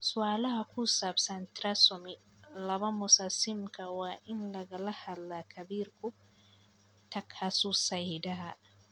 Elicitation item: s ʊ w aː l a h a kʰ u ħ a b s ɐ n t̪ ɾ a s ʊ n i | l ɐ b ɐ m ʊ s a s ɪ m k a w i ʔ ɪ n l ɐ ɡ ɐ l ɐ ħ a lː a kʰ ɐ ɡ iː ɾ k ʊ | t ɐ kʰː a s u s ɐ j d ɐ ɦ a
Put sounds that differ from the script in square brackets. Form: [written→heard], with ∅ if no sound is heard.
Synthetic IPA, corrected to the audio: s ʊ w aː l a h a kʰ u [ħ→s] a b s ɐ n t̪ ɾ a s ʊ [n→m] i | l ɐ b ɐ m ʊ s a s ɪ m k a w [i→a] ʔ ɪ n l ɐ ɡ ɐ l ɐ [ħ→h] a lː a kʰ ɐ [ɡ→b] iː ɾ k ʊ | t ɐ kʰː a s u s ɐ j d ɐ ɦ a